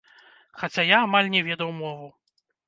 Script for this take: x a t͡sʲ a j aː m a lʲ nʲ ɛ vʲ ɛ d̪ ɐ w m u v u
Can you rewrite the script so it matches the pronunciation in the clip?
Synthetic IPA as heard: x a t͡sʲ a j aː m a lʲ nʲ ɛ vʲ ɛ d̪ ɐ w m ɔ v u